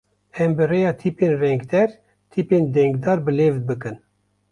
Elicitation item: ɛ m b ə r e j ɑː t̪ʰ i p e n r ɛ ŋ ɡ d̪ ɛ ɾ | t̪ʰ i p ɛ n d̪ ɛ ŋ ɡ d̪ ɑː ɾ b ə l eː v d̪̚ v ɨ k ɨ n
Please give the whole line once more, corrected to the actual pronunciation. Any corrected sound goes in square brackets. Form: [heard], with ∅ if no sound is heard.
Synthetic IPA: ɛ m b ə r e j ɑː t̪ʰ i p e n r ɛ ŋ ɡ d̪ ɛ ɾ | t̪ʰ i p [e] n d̪ ɛ ŋ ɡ d̪ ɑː ɾ b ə l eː v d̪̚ [b] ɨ k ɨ n

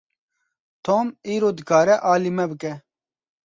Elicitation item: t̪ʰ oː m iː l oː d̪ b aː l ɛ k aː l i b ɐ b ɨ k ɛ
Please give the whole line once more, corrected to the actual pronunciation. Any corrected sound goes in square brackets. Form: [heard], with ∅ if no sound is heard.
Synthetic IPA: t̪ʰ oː m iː [ɾ] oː d̪ [ɡ] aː [ɾ] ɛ [ʔ] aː l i [m] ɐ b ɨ k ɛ

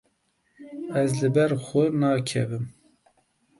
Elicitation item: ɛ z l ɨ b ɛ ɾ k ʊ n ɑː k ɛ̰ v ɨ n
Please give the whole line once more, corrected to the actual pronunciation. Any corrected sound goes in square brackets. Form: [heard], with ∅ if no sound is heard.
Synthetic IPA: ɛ z l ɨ b ɛ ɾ [x] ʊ n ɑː [kʰ] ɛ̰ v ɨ [m]

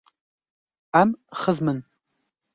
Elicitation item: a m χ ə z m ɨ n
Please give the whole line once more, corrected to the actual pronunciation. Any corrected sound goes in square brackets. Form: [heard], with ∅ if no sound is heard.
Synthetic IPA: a m χ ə z m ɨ n

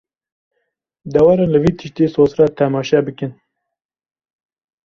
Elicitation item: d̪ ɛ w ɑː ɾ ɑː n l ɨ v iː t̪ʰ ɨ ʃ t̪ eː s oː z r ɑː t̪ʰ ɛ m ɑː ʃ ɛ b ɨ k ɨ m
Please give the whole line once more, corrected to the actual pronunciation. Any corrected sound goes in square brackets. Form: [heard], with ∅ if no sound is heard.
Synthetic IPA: d̪ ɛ w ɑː ɾ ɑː n l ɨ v iː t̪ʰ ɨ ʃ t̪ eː s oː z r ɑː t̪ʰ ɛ m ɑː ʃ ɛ b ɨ k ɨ [n]

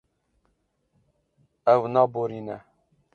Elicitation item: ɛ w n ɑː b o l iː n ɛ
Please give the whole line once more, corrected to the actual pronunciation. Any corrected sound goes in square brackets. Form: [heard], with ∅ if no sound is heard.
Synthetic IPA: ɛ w n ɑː b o [ɾ] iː n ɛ

